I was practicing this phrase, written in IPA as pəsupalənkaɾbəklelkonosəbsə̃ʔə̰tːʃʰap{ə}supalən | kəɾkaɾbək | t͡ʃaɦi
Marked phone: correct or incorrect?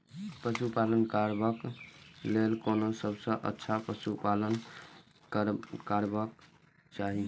correct